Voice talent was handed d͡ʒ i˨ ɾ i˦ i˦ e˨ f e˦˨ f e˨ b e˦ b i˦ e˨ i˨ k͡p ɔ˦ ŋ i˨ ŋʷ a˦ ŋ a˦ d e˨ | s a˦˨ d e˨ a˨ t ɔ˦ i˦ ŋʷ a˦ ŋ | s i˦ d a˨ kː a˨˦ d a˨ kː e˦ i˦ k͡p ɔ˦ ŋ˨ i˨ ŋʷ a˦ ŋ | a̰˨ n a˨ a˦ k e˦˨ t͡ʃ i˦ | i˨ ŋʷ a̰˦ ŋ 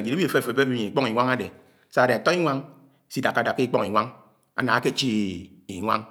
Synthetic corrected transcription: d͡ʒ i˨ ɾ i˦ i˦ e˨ f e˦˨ f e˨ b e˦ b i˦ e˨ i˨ k͡p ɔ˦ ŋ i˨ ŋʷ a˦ ŋ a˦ d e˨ | s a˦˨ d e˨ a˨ t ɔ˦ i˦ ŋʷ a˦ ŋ | s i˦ d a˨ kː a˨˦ d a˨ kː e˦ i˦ k͡p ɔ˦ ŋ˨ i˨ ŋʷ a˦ ŋ | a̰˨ n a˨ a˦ k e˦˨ t͡ʃ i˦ | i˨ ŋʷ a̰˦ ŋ